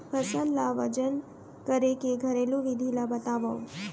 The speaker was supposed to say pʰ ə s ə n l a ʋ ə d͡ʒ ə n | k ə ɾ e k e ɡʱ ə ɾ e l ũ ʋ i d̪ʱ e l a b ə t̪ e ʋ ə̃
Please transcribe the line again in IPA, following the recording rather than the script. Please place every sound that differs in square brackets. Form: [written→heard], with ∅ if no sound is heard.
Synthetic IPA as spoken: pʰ ə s ə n l a ʋ ə d͡ʒ ə n | k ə ɾ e k e ɡʱ ə ɾ e l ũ ʋ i d̪ʱ [e→i] l a b ə t̪ [e→a] ʋ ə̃

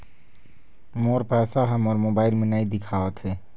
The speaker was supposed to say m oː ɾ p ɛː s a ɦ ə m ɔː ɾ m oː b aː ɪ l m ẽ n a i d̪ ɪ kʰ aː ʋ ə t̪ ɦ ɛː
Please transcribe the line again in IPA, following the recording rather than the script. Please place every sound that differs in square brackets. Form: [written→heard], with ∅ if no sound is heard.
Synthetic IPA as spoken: m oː ɾ p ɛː s a ɦ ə m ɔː ɾ m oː b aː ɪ l m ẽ n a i d̪ ɪ kʰ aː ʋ ə t̪ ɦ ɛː

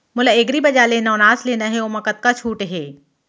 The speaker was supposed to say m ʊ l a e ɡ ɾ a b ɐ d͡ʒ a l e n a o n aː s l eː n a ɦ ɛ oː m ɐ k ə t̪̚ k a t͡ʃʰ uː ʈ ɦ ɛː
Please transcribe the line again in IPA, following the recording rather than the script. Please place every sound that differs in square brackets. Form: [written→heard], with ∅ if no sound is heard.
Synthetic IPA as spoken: m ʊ l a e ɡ ɾ [a→i] b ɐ d͡ʒ a l e n a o n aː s l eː n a ɦ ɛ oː m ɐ k ə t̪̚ k a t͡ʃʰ uː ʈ ɦ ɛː

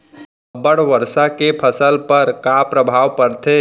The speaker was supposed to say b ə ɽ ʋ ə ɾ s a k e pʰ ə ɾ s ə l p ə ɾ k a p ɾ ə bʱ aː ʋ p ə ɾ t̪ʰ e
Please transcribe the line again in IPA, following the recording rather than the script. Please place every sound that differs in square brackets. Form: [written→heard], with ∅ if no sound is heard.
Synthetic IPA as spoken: b ə ɽ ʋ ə ɾ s a k e pʰ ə [ɾ→∅] s ə l p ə ɾ k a p ɾ ə bʱ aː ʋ p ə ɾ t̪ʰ e

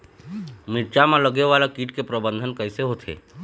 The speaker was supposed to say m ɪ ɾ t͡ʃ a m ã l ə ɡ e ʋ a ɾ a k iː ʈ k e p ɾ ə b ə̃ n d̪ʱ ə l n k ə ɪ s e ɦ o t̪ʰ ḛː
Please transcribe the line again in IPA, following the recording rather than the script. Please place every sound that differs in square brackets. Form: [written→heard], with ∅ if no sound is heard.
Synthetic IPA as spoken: m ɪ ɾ t͡ʃ a m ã l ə ɡ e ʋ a [ɾ→l] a k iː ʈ k e p ɾ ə b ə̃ n d̪ʱ ə [l→∅] n k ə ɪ s e ɦ o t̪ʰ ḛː

